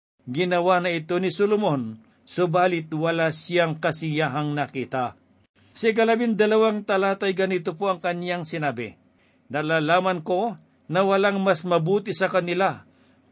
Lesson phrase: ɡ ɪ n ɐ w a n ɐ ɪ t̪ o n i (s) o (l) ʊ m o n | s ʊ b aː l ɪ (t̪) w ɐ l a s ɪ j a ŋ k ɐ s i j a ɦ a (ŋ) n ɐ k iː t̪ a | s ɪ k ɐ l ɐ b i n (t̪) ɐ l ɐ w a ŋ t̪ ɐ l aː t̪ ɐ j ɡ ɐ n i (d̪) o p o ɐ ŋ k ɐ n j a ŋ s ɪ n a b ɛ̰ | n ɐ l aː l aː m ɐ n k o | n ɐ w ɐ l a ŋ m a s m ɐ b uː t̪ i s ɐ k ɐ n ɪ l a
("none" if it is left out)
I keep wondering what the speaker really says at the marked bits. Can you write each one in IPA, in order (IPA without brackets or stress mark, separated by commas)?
s, l, t̪, ŋ, d̪, t̪